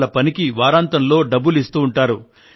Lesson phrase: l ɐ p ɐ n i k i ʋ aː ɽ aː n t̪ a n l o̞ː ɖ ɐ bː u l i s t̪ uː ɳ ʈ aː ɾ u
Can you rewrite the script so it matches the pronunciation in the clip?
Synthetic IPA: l ɐ p ɐ n i k i ʋ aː ɾ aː n t̪ ɐ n l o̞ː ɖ ɐ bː u l i s t̪ uː ɳ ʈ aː ɾ u